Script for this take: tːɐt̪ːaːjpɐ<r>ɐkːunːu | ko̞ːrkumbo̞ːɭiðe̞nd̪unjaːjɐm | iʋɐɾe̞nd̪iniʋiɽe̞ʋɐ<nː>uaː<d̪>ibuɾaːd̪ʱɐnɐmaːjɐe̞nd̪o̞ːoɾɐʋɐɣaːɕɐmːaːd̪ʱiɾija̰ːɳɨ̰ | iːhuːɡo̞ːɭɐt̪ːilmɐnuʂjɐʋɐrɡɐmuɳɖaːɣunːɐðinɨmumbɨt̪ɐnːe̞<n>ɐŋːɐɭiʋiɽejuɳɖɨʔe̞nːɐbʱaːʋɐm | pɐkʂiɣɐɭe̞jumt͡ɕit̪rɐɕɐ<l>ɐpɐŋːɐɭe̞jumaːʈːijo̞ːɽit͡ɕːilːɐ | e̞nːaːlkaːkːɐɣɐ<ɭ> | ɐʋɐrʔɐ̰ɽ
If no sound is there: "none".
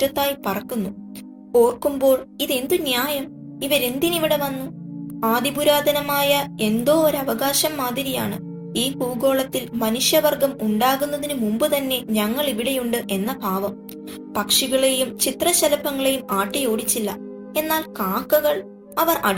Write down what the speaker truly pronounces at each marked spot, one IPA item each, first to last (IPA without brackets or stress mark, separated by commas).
r, nː, d̪, ɲ, l, ɭ